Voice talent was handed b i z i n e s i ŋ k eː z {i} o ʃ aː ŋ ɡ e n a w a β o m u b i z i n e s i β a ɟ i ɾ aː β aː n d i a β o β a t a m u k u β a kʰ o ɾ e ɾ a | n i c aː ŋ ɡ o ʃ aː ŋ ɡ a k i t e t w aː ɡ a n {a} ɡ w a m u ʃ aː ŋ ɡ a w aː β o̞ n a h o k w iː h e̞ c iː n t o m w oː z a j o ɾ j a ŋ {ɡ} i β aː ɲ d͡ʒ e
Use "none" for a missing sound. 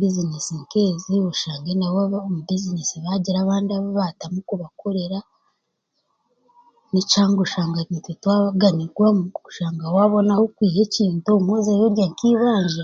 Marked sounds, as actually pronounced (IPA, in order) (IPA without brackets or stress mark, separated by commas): i, i, k